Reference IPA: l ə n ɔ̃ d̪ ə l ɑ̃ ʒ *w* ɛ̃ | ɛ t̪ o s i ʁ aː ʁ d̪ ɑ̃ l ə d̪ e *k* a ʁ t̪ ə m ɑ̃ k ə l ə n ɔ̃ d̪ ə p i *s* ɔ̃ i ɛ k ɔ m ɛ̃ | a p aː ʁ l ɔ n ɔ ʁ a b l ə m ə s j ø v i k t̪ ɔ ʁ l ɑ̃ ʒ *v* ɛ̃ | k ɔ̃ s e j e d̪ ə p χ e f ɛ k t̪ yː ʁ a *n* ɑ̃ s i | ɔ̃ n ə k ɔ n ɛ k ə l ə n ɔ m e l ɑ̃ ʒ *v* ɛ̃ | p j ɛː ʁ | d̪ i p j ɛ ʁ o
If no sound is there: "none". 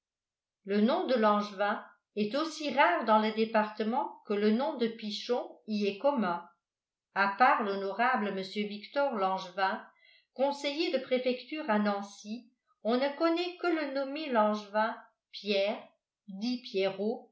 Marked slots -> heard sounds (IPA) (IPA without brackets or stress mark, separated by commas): v, p, ʃ, v, n, v